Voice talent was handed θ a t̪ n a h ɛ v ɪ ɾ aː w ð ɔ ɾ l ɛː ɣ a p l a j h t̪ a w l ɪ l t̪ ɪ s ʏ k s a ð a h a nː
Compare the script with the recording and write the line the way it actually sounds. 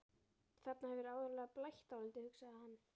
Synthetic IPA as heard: θ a t̪ n a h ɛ v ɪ ɾ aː w ð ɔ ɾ l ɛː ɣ a p l a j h t̪ a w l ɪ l t̪ ɪ h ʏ k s a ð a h a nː